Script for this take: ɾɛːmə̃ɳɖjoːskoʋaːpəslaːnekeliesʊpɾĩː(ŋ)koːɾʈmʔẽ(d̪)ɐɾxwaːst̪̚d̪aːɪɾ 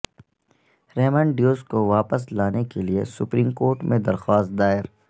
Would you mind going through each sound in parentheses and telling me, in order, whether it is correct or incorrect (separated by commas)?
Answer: incorrect, correct